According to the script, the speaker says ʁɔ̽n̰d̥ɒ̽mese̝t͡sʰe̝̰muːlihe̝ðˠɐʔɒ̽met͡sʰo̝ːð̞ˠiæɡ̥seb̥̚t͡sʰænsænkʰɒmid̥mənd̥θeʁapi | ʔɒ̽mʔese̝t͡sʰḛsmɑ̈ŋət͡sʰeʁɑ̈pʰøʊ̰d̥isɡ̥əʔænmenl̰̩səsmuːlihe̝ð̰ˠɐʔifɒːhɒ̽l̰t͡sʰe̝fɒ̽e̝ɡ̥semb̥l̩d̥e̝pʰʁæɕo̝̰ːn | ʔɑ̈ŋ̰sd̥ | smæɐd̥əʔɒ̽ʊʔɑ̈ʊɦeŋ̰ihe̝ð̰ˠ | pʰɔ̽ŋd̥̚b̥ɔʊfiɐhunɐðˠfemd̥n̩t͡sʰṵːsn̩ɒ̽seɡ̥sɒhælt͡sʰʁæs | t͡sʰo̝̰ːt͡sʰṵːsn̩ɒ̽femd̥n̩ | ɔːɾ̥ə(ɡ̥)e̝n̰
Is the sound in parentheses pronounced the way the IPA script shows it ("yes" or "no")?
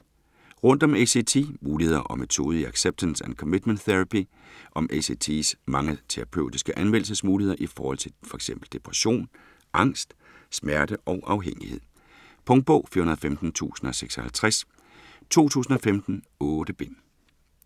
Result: no